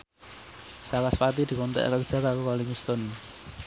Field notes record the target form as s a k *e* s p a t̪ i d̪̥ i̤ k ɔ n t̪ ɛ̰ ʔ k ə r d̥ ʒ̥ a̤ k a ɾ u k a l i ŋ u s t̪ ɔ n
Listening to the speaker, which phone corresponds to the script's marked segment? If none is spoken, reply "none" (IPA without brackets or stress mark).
a